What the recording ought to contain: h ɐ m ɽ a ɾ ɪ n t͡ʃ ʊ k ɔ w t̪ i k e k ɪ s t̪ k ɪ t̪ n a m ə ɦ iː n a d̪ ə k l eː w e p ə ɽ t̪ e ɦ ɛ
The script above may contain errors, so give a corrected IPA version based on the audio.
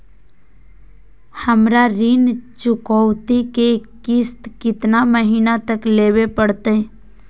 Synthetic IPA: h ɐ m ɾ a ɾ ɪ n t͡ʃ ʊ k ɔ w t̪ i k e k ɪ s t̪ k ɪ t̪ n a m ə ɦ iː n a t̪ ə k l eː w e p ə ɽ t̪ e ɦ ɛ